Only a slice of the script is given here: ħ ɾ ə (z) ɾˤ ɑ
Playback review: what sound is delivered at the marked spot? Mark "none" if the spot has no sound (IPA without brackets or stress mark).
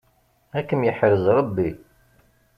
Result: z